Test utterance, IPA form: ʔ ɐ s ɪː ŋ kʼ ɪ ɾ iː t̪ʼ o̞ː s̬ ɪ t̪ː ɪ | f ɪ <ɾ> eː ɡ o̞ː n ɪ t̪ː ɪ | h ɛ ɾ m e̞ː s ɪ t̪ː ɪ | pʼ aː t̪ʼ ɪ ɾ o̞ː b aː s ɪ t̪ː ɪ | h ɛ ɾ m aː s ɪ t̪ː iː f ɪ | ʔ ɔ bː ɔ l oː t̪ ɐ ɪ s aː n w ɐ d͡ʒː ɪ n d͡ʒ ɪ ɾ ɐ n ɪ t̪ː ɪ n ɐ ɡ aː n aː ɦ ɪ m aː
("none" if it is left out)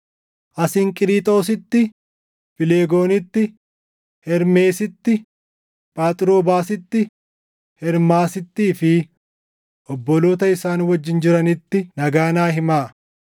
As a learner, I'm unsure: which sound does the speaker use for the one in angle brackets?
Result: l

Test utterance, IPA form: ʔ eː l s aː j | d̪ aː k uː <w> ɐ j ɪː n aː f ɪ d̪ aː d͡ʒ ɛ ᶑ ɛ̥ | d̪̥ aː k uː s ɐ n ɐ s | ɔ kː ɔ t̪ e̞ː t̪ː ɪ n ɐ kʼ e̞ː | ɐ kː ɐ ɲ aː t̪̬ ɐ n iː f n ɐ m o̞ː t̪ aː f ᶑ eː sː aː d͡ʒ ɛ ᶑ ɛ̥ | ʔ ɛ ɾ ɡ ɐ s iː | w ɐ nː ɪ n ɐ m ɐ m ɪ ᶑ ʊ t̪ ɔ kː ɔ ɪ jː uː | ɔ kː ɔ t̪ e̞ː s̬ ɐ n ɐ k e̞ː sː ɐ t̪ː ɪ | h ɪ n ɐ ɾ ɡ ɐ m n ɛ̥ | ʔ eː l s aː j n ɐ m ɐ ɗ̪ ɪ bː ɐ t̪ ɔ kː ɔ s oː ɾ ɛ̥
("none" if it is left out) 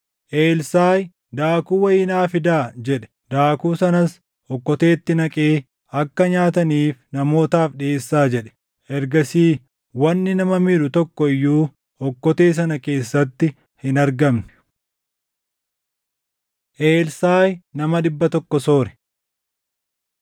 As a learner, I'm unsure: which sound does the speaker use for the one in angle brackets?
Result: w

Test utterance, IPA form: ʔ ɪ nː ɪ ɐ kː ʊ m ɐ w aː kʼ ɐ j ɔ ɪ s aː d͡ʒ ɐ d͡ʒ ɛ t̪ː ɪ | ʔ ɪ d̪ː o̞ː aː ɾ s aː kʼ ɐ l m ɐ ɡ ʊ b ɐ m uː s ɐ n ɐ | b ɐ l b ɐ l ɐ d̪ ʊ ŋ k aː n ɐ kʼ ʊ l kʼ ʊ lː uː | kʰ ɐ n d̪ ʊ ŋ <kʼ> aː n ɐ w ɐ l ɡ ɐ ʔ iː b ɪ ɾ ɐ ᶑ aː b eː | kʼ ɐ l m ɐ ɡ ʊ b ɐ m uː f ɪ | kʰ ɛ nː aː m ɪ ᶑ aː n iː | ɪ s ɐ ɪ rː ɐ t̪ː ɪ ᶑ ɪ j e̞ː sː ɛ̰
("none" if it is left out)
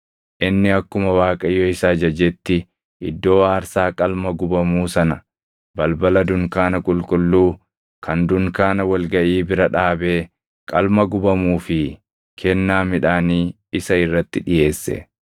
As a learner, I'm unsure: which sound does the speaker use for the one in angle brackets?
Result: k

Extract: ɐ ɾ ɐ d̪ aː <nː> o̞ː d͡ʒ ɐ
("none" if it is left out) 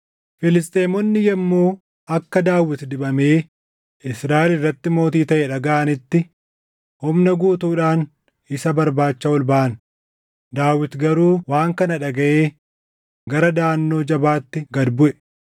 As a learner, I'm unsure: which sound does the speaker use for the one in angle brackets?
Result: nː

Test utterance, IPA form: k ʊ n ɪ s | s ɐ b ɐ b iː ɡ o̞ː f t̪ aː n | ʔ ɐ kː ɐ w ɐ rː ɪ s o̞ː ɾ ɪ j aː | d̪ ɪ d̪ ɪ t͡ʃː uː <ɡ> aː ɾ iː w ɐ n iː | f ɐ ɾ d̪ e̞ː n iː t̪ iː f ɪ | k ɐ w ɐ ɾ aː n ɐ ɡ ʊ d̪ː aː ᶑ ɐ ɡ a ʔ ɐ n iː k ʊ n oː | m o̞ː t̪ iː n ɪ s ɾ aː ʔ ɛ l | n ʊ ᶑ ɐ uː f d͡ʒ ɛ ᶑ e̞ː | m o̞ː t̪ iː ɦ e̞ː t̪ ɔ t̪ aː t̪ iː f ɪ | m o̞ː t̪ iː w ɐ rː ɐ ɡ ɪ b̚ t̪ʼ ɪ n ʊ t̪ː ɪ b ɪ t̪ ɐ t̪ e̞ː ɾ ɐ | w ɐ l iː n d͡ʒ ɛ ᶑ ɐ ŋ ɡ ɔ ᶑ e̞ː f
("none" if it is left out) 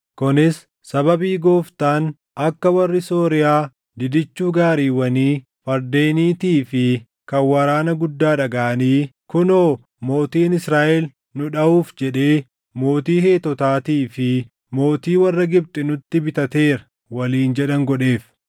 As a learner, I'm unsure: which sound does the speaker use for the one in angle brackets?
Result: ɡ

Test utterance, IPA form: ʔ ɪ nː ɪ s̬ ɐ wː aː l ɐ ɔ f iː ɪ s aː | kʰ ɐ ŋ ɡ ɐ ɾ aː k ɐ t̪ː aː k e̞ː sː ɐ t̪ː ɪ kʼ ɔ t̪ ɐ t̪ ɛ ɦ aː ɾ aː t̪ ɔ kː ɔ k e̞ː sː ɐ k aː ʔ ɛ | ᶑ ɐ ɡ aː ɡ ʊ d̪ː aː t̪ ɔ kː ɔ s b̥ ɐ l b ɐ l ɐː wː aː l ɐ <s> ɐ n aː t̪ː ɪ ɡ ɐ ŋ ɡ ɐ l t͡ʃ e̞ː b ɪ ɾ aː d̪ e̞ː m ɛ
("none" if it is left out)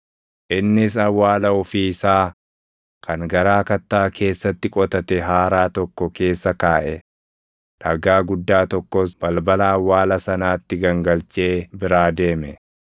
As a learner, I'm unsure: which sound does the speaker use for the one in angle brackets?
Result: s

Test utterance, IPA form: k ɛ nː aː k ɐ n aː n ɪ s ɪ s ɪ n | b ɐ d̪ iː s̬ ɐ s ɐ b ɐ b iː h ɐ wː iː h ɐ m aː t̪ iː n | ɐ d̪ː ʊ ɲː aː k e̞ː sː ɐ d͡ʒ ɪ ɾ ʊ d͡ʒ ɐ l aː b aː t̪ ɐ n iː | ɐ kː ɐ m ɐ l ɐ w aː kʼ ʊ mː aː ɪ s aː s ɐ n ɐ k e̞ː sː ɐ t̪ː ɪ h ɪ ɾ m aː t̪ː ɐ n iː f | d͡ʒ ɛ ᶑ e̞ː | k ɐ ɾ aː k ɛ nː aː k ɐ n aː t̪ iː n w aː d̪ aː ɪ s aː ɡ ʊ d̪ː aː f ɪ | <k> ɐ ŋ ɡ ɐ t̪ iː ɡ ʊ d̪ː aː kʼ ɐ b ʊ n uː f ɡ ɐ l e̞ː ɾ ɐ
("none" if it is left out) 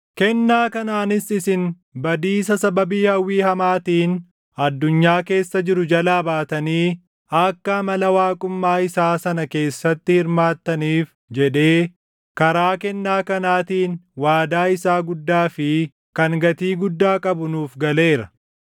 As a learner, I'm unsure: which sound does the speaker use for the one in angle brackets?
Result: k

